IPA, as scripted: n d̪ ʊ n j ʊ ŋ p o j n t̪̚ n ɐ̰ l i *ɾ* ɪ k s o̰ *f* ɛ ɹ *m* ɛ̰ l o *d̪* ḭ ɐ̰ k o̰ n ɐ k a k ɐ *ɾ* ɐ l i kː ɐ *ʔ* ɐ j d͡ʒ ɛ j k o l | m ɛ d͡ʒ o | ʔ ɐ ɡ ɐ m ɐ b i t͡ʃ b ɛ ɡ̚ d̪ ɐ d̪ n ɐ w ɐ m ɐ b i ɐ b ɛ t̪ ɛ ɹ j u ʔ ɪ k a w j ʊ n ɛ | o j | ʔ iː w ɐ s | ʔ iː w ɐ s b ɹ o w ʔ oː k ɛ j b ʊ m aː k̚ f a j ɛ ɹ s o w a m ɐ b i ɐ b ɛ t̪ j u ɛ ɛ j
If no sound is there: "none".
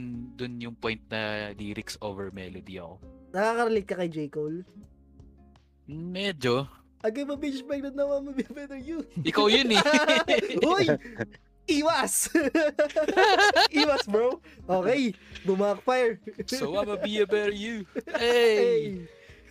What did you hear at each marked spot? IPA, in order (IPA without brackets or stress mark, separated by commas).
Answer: ɾ, v, m, d̪, ɾ, k